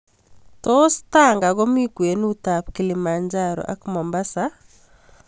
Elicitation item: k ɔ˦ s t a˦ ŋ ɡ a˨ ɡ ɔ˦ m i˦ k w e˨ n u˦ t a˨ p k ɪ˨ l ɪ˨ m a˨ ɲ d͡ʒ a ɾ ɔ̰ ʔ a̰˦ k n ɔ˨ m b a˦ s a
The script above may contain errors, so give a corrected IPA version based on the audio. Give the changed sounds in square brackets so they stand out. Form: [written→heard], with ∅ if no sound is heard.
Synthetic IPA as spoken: [k→t] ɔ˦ s t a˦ ŋ ɡ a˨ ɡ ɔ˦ m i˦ k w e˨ n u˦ t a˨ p k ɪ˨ l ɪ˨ m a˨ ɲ d͡ʒ a ɾ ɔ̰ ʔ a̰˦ k [n→m] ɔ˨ m b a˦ s a